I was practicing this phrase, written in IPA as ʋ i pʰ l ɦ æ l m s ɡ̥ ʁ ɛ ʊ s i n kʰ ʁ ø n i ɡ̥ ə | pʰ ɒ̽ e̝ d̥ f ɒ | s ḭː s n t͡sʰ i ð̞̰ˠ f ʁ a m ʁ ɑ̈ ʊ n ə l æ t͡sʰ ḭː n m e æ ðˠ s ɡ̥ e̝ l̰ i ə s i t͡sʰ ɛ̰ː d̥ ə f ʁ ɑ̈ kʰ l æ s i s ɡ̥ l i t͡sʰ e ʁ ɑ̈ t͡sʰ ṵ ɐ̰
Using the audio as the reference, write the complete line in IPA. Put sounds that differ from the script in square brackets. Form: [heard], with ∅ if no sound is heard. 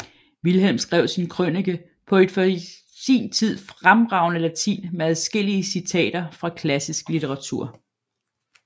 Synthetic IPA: ʋ i [∅] l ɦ [e] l m s ɡ̥ ʁ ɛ ʊ s i n kʰ ʁ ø n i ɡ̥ ə | pʰ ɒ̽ e̝ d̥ f ɒ | s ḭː [∅] n t͡sʰ i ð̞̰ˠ f ʁ a m ʁ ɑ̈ ʊ n ə l æ t͡sʰ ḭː n m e æ ðˠ s ɡ̥ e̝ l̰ i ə s i t͡sʰ ɛ̰ː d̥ [ɐ] f ʁ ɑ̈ kʰ l æ s i s ɡ̥ l i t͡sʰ e ʁ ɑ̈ t͡sʰ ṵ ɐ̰